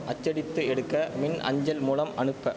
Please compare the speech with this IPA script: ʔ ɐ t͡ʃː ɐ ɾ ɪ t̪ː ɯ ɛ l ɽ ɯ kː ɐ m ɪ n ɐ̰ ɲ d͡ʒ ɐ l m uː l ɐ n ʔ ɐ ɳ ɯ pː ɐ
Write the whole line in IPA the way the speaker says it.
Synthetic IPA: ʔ ɐ t͡ʃː ɐ ɽ ɪ t̪ː ɯ ɛ ɽ ɯ kː ɐ m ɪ n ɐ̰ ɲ d͡ʒ ɐ l m uː l ɐ m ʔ ɐ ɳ ɯ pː ɐ

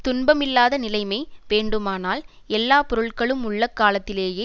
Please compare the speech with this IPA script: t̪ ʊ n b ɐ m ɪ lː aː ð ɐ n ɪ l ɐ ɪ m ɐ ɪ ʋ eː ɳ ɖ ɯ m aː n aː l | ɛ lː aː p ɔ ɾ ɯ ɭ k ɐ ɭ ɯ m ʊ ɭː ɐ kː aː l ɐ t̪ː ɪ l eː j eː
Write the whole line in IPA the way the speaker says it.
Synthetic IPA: t̪ ʊ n b ɐ m ɪ lː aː ð ɐ n ɪ l ɐ ɪ m ɐ ɪ ʋ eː ɳ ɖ ɯ m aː n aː l | ɛ lː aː p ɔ ɾ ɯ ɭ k ɐ ɭ ɯ m ʊ ɭː ɐ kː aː l ɐ t̪ː ɪ l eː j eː

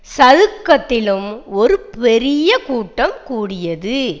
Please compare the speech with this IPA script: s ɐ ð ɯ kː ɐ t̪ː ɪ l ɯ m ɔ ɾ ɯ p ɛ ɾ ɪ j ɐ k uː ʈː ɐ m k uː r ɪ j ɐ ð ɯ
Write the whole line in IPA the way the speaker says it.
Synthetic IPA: s ɐ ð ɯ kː ɐ t̪ː ɪ l ɯ m ɔ ɾ ɯ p ɛ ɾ ɪ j ɐ k uː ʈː ɐ m k uː ɽ ɪ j ɐ ð ɯ

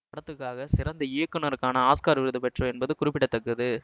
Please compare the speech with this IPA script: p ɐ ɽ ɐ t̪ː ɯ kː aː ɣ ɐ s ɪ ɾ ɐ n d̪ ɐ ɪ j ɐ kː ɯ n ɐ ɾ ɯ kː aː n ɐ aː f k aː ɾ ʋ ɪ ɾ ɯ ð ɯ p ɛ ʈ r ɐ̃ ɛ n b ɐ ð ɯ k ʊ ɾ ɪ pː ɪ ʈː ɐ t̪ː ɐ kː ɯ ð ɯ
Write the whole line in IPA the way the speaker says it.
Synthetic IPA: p ɐ ɽ ɐ t̪ː ɯ kː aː ɣ ɐ s ɪ ɾ ɐ n d̪ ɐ ɪ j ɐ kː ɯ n ɐ ɾ ɯ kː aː n ɐ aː s k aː ɾ ʋ ɪ ɾ ɯ ð ɯ p ɛ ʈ r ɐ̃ ɛ n b ɐ ð ɯ k ʊ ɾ ɪ pː ɪ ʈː ɐ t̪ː ɐ kː ɯ ð ɯ

